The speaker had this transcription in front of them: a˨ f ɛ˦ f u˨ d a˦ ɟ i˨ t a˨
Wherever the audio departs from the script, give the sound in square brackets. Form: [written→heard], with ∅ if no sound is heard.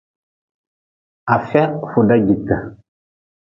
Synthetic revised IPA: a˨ f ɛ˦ f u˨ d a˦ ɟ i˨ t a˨